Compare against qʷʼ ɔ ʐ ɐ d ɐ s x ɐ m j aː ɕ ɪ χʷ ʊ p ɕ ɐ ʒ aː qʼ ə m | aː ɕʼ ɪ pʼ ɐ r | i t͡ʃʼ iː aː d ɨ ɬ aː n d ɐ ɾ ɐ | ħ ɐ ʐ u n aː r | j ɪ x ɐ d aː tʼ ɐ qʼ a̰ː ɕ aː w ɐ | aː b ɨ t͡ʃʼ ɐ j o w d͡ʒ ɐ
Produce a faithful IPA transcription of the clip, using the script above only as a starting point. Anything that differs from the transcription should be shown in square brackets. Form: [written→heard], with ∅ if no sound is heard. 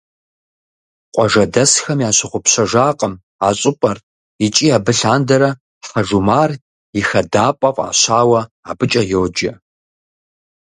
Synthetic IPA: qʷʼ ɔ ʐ ɐ d ɐ s x ɐ m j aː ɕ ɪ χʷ ʊ p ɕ ɐ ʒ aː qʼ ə m | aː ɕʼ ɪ pʼ ɐ r | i t͡ʃʼ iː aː [d→b] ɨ ɬ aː n d ɐ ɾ ɐ | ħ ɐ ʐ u [n→m] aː r | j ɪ x ɐ d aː [tʼ→pʼ] ɐ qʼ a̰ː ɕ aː w ɐ | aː b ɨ t͡ʃʼ ɐ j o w d͡ʒ ɐ